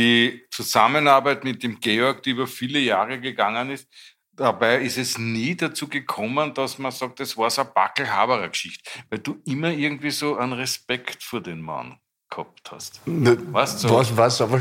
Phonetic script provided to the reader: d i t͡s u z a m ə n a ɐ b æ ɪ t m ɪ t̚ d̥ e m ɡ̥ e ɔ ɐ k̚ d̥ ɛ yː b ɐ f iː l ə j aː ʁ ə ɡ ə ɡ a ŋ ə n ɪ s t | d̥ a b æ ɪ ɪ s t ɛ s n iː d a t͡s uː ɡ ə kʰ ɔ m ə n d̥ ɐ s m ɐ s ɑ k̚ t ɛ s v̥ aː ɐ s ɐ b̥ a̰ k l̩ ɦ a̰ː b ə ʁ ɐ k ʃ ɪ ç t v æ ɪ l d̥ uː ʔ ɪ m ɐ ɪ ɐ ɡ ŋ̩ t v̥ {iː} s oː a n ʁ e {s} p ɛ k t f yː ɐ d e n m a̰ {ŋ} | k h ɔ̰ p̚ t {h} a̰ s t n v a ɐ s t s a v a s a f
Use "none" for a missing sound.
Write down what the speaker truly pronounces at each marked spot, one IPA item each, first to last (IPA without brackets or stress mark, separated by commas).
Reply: iː, s, n, h